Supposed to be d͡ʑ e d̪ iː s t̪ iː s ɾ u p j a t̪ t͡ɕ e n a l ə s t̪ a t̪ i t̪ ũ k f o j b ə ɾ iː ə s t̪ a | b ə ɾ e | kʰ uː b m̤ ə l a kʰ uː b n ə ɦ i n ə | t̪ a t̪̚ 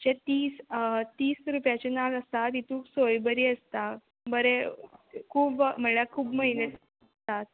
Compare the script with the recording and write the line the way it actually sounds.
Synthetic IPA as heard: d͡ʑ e t̪ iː s t̪ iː s ɾ u p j a t͡ɕ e n a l ə s t̪ a t̪ i t̪ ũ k s o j b ə ɾ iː ə s t̪ a | b ə ɾ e | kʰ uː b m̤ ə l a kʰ uː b m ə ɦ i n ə | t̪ a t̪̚